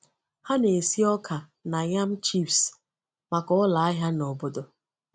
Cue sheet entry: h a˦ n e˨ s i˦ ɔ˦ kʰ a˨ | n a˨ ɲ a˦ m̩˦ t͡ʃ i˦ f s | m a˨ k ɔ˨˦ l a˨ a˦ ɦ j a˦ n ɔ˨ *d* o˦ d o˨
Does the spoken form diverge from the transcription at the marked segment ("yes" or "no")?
yes